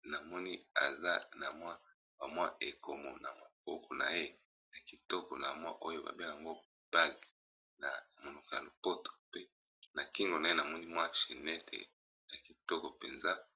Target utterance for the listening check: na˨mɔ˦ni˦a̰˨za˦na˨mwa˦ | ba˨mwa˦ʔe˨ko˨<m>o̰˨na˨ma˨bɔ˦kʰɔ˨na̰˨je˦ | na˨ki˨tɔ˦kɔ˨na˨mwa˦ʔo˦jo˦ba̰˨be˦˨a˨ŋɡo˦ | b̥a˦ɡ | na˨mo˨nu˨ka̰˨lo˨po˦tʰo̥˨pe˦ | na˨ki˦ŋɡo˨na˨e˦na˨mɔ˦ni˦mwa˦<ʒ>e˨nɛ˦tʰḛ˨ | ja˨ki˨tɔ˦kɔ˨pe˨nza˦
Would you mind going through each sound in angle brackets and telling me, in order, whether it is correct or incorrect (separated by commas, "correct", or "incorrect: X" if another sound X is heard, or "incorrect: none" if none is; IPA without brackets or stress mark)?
correct, incorrect: ʃ